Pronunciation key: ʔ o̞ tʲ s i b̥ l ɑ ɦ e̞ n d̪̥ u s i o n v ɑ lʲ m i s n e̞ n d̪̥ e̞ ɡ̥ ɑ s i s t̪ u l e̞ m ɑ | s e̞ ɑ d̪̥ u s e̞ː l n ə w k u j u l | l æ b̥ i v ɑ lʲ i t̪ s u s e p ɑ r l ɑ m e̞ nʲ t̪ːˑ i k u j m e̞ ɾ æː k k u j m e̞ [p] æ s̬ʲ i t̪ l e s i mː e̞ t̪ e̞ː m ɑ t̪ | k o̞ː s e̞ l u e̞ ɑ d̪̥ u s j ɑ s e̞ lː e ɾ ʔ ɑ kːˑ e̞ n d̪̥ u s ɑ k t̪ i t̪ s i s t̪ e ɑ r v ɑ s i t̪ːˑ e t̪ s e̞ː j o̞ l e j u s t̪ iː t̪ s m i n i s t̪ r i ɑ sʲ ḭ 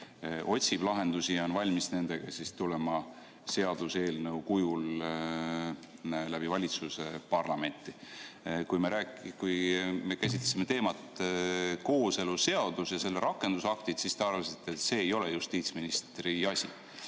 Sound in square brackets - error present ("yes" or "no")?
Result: yes